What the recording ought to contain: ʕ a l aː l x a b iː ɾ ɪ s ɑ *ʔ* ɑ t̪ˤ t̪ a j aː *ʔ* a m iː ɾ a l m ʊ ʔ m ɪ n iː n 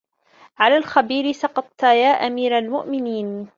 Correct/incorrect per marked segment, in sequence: incorrect, correct

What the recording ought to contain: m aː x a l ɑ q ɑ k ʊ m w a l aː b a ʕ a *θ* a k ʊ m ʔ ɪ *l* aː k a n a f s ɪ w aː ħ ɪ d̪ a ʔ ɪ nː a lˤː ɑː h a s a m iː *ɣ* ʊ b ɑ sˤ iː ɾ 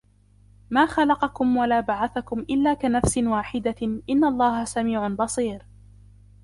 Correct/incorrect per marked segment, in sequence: correct, incorrect, incorrect

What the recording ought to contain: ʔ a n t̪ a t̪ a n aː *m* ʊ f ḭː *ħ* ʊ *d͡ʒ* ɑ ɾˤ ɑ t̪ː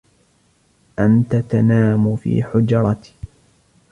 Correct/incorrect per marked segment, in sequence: correct, correct, correct

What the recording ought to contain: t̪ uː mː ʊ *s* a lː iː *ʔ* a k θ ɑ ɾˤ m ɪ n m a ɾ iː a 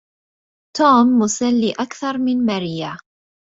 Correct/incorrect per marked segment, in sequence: correct, correct

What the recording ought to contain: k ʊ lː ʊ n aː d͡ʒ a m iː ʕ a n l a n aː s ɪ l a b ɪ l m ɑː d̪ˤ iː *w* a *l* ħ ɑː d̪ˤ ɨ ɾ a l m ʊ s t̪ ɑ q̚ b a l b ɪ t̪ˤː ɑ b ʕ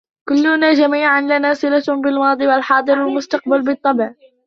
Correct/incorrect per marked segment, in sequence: correct, correct

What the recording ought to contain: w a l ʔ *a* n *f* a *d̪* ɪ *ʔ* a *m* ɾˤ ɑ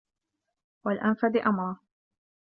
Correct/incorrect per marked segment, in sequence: correct, correct, correct, correct, correct

